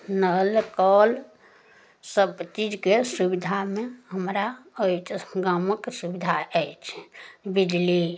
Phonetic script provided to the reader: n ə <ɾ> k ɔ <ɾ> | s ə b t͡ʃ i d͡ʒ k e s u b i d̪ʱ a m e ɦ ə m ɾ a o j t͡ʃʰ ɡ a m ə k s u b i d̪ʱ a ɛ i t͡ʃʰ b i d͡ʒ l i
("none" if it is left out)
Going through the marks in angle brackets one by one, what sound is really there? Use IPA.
l, l

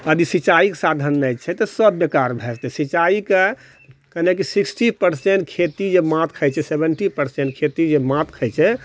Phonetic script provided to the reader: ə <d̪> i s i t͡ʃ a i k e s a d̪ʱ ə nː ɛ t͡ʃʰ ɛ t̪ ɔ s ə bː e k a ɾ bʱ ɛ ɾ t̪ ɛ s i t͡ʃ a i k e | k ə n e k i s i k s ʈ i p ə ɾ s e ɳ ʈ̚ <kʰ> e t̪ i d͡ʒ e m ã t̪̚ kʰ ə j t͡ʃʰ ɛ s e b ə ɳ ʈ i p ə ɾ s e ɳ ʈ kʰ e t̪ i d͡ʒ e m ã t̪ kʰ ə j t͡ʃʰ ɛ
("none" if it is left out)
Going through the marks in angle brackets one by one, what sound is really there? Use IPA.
d̪, kʰ

